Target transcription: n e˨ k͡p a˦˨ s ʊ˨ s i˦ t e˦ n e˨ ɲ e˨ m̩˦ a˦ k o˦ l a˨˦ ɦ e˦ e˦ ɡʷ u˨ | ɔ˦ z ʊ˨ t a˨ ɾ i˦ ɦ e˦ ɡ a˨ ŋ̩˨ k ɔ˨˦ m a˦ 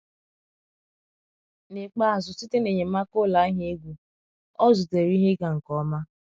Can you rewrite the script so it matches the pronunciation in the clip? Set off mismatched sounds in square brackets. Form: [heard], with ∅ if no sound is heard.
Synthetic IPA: n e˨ k͡p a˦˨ [z] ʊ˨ s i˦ t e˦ n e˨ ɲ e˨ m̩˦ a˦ k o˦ l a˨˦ ɦ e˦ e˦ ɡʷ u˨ | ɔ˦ z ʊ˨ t [e˨] ɾ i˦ ɦ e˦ ɡ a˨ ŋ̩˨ k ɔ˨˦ m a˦